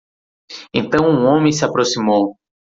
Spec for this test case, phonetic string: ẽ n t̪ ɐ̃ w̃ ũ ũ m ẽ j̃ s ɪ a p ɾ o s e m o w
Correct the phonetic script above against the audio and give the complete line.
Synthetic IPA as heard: ẽ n t̪ ɐ̃ w̃ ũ õ m ẽ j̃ s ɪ a p ɾ o s i m o w